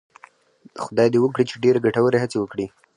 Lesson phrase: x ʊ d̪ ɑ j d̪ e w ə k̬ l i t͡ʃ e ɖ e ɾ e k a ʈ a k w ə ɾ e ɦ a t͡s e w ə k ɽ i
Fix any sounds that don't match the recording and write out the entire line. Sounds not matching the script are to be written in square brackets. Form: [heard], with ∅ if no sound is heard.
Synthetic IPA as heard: x ʊ d̪ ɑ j d̪ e w ə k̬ [ɽ] i t͡ʃ e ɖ e ɾ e [ɡ] a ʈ a [∅] w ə ɾ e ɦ a t͡s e w ə k ɽ i